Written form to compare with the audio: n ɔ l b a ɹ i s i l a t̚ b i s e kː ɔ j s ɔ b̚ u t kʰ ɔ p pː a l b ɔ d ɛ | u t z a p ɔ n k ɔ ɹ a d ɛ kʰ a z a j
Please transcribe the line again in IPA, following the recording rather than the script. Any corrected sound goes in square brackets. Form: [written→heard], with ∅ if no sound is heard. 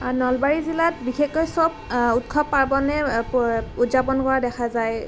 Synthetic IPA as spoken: n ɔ l b a ɹ i [s→z] i l a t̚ b i [s→x] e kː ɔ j s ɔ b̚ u t kʰ ɔ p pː a [l→ɹ] b ɔ [d→n] ɛ | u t z a p ɔ n k ɔ ɹ a d ɛ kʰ a z a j